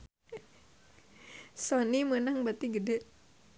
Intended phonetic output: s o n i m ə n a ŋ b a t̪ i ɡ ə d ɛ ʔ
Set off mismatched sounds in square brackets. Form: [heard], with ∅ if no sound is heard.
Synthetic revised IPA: s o n i m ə n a ŋ b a t̪ i ɡ ə d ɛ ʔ